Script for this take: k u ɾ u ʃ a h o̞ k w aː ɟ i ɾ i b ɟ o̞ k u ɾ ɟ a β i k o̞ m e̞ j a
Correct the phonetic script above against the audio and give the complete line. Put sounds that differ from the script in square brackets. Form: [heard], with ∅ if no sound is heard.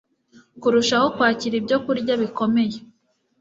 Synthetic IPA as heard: k u ɾ u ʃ a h o̞ k w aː [c] i ɾ i b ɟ o̞ k u ɾ ɟ a β i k o̞ m e̞ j [e]